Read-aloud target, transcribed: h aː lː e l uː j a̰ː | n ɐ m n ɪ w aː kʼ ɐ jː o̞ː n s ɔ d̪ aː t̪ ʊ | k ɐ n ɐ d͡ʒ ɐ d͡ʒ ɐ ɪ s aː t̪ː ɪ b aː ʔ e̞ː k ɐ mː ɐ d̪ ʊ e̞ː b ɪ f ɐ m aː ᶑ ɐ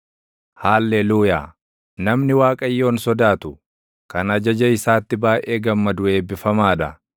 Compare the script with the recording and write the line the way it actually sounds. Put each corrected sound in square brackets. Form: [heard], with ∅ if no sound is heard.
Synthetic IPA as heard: h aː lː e l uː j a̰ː | n ɐ m n ɪ w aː kʼ ɐ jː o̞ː n s ɔ d̪ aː t̪ ʊ | k ɐ n ɐ d͡ʒ ɐ d͡ʒ ɐ ɪ s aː t̪ː ɪ b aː ʔ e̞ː [ɡ] ɐ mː ɐ d̪ ʊ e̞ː b ɪ f ɐ m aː ᶑ ɐ